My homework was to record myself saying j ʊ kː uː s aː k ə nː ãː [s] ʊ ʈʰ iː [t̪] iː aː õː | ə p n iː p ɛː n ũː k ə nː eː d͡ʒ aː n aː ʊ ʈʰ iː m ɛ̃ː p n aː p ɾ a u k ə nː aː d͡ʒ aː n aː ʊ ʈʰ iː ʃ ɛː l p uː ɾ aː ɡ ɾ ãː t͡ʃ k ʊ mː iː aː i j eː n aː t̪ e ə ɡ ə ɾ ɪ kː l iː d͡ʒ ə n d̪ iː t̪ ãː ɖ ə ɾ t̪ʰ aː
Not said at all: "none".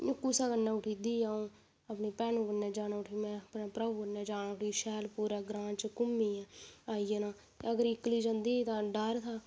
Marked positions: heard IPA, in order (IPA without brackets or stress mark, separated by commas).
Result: none, d̪